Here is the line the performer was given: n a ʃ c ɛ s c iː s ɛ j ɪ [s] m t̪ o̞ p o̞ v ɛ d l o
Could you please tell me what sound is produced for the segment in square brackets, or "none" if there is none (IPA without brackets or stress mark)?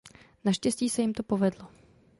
none